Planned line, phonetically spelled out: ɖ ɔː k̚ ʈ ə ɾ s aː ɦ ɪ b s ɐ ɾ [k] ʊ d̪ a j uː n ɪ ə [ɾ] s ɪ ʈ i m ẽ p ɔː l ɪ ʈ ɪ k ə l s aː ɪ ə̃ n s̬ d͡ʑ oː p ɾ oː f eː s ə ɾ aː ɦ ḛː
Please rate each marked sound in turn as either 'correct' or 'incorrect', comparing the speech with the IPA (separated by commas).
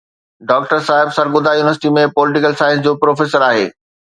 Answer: incorrect, correct